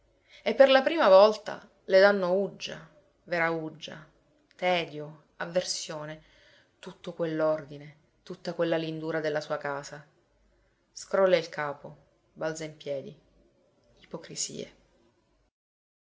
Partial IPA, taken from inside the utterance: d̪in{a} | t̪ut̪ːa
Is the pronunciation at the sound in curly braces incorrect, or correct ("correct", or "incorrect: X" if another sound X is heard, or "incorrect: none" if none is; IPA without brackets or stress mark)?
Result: incorrect: e